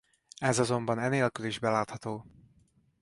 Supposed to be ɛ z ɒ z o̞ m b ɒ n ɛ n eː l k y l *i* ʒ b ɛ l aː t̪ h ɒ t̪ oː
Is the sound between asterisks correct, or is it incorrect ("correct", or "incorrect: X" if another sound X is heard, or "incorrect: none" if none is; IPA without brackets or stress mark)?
correct